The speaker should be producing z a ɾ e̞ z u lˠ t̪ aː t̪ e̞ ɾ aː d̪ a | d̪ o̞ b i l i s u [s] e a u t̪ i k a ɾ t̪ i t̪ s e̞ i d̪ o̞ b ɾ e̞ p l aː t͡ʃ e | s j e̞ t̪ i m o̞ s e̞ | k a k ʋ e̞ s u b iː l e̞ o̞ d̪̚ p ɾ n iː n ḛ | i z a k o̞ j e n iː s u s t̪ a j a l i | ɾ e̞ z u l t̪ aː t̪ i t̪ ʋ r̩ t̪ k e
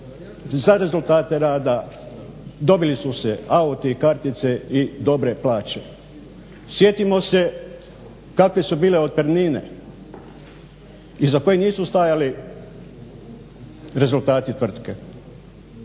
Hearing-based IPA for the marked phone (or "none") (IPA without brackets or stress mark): s